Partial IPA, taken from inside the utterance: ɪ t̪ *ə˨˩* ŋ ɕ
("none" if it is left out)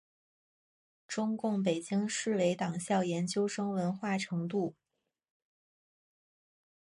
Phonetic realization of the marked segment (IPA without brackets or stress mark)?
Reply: ɑ˨˩